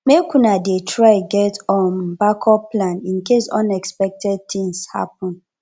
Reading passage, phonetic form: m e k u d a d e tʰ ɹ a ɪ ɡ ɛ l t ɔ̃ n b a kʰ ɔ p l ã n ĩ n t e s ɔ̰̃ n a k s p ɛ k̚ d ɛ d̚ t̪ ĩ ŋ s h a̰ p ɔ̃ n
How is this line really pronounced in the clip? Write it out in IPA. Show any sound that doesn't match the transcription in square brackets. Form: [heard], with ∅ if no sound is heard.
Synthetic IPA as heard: m e k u [n] a d e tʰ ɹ a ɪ ɡ ɛ [∅] t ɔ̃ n b a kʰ ɔ p l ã n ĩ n [k] e s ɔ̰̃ n [ɛ] k s p ɛ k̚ [t] ɛ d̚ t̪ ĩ ŋ s h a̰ p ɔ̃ n